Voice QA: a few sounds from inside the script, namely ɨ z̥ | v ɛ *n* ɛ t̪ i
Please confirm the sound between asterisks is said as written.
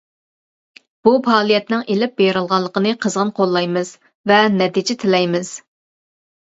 yes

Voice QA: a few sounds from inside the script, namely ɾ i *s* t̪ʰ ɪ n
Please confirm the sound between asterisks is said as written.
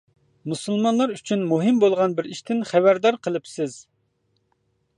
no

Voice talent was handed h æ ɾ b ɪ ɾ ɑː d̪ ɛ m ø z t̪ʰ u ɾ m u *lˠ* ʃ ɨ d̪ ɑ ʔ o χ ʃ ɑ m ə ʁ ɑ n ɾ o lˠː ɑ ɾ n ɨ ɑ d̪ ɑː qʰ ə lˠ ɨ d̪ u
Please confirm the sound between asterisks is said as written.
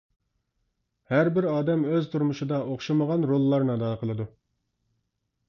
no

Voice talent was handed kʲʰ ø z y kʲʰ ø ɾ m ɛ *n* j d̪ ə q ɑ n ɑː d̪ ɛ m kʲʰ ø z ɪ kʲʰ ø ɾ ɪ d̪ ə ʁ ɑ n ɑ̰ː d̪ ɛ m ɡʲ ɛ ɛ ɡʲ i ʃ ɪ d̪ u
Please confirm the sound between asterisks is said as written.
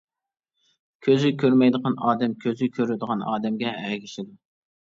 no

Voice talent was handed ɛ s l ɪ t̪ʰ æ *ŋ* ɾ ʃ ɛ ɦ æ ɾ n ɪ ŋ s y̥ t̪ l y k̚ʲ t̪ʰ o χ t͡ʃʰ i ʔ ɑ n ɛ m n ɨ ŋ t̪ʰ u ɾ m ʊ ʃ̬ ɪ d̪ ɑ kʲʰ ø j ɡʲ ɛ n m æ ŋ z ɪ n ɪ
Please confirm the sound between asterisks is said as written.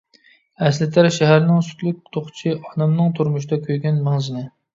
no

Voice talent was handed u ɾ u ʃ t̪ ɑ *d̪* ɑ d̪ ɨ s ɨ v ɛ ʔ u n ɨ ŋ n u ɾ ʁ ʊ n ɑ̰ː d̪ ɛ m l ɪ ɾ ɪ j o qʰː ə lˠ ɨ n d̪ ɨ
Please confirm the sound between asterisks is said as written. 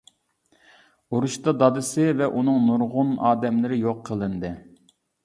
yes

